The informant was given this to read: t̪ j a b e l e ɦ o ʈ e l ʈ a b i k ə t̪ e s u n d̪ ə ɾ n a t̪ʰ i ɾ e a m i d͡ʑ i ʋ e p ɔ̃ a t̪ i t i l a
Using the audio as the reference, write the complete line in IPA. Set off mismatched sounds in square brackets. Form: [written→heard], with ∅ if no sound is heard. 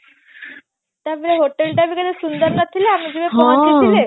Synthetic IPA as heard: t̪ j a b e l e ɦ o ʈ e l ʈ a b i k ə [t̪→d̪] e s u n d̪ ə ɾ n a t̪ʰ i [ɾ→l] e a m i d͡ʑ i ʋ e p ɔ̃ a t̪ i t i l [a→e]